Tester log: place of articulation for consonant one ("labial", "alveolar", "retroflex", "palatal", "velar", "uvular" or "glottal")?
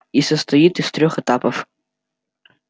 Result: alveolar